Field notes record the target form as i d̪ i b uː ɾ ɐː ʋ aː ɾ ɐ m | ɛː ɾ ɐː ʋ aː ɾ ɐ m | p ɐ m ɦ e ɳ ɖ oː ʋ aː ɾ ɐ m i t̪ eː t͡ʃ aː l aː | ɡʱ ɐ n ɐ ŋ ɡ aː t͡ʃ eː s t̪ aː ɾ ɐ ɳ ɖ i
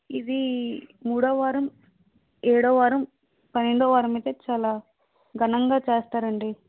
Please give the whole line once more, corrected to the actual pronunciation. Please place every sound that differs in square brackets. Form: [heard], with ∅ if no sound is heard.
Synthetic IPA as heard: i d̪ i [m] uː [ɽ] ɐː ʋ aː ɾ ɐ m | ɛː [ɽ] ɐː ʋ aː ɾ ɐ m | p ɐ [n] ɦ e ɳ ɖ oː ʋ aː ɾ ɐ m i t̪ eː t͡ʃ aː l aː | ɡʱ ɐ n ɐ ŋ ɡ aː t͡ʃ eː s t̪ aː ɾ ɐ ɳ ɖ i